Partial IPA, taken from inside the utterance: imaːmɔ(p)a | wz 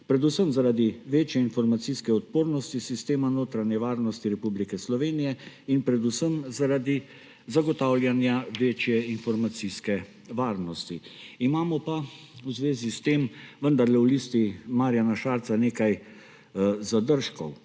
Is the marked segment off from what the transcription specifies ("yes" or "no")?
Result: no